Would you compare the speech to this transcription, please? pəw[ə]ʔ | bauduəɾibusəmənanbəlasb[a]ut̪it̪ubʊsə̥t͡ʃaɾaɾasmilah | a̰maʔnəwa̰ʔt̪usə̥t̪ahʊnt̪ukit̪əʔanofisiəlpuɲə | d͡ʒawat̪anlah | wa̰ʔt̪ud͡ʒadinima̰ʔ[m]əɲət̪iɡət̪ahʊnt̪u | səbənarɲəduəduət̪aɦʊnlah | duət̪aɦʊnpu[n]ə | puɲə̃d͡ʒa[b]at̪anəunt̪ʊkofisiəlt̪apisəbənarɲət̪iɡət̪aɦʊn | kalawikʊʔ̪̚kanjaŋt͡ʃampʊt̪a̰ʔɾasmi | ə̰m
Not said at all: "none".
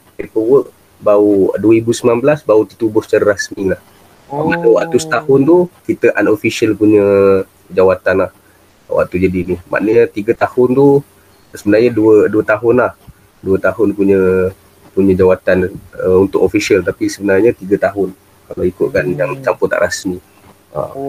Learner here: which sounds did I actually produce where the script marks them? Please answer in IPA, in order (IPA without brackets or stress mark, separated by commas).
ə, a, n, ɲ, w